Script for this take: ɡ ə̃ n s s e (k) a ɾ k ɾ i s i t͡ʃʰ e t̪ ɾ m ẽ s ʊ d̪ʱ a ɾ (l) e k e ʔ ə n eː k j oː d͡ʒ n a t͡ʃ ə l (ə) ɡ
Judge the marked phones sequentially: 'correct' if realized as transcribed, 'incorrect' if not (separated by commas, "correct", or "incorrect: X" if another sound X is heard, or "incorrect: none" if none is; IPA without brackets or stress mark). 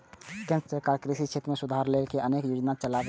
correct, correct, incorrect: a